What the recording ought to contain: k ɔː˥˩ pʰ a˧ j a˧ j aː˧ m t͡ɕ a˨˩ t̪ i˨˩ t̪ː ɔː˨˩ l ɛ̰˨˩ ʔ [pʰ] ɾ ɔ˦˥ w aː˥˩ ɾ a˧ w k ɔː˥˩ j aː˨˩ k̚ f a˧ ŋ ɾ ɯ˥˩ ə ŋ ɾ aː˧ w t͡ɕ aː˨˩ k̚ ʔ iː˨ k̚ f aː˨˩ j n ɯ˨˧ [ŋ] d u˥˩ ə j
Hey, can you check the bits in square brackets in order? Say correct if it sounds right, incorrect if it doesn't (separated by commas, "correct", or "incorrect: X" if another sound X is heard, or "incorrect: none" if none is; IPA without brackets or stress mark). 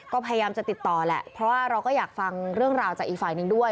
correct, correct